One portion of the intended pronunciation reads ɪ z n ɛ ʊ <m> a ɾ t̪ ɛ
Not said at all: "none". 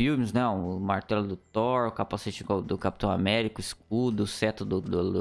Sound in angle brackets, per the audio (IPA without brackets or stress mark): m